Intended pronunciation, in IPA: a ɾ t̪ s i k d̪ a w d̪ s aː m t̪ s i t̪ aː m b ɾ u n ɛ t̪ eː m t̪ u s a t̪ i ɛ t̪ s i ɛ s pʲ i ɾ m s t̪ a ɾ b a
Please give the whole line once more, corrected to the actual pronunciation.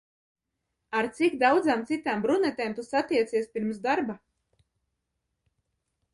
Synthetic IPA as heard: a ɾ t̪ s i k d̪ a w d̪ z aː m t̪ s i t̪ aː m b ɾ u n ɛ t̪ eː m t̪ u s a t̪ i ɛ t̪ s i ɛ s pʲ i ɾ m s d̪ a ɾ b a